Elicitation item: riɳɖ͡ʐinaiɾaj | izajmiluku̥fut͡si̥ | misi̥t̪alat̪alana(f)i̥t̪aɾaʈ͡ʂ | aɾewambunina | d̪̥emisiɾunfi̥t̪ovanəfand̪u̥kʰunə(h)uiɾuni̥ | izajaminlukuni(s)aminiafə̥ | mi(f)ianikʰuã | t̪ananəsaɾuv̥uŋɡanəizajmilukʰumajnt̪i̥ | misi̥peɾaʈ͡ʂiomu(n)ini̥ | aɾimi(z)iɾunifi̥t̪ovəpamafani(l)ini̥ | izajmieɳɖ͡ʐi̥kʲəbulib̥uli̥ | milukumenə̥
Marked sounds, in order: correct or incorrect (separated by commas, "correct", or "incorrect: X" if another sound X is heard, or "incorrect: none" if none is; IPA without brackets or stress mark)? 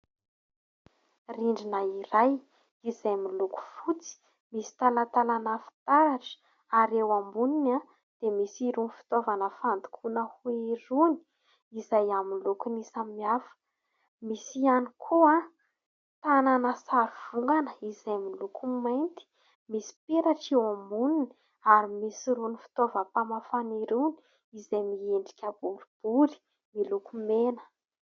correct, correct, correct, incorrect: s, correct, incorrect: s, incorrect: ɾ